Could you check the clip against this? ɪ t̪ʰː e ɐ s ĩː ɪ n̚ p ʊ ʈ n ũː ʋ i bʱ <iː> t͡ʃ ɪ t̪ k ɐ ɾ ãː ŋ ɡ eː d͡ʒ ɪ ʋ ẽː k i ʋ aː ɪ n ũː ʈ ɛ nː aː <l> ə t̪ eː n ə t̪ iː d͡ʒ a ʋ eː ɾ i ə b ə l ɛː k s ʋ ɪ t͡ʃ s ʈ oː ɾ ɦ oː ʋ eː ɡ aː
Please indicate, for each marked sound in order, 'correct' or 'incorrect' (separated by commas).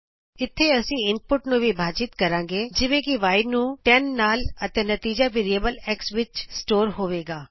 incorrect, correct